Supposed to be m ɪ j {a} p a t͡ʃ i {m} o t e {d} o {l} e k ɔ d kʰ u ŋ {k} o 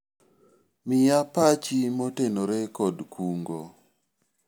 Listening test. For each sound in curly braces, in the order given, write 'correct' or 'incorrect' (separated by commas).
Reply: correct, correct, incorrect, incorrect, incorrect